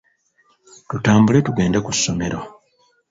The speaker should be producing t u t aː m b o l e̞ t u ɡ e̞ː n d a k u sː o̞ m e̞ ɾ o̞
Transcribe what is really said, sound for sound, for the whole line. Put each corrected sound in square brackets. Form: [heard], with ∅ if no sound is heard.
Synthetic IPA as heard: t u t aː m b [u] l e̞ t u ɡ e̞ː n d a k u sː o̞ m e̞ ɾ o̞